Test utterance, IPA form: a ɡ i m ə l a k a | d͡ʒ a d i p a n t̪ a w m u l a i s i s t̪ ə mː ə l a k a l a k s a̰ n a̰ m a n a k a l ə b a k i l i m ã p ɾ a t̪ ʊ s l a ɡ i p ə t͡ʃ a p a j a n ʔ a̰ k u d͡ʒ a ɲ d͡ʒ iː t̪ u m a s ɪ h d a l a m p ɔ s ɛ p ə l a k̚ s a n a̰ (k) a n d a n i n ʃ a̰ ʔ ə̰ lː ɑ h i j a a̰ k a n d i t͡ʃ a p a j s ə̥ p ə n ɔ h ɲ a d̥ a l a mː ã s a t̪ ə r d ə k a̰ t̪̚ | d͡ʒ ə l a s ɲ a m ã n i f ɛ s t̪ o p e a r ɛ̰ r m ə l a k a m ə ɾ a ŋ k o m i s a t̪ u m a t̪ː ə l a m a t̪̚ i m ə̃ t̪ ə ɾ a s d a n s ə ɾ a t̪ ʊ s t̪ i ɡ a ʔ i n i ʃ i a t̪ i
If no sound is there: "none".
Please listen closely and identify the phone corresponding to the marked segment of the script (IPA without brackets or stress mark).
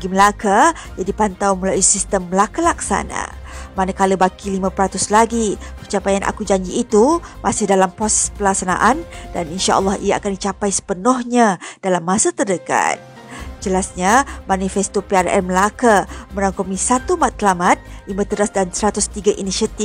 ʔ